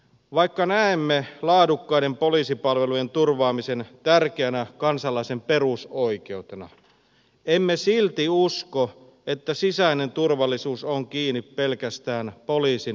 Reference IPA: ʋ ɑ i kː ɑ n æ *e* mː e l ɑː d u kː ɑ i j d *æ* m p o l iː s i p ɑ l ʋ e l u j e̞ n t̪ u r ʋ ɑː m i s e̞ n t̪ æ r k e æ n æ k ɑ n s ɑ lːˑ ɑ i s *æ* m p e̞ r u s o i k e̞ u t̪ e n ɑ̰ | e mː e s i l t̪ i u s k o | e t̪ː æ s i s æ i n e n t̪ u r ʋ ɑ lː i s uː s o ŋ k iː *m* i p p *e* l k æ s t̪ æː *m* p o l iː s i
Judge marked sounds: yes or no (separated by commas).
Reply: yes, no, no, no, yes, no